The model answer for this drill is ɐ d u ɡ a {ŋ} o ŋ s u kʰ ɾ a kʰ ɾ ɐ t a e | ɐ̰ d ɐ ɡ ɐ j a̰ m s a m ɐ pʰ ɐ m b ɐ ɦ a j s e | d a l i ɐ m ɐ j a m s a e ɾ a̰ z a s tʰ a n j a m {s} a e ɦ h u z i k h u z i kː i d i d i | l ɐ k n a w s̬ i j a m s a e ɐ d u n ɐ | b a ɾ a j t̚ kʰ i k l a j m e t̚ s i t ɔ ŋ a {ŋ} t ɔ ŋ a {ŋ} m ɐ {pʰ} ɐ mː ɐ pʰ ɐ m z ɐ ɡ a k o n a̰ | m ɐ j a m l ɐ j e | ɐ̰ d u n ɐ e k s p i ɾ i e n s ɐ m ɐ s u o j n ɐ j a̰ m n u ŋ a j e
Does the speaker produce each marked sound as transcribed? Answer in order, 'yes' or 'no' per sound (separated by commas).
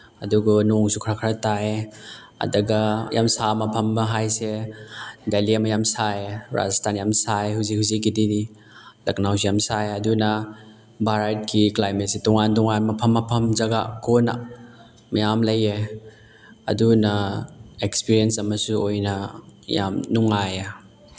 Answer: no, yes, no, no, yes